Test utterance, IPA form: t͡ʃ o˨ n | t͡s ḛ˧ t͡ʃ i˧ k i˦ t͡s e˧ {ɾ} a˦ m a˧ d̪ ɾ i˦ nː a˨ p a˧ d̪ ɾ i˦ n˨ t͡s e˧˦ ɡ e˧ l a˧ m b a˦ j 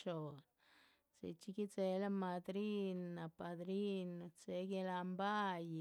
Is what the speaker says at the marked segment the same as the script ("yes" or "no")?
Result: no